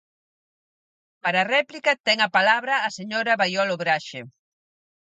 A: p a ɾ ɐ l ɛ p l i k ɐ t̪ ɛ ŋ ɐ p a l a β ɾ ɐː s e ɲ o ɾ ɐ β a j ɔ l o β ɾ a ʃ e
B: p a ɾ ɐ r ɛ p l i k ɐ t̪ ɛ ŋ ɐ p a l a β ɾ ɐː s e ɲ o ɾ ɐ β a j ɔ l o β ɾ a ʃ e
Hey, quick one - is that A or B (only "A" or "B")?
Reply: B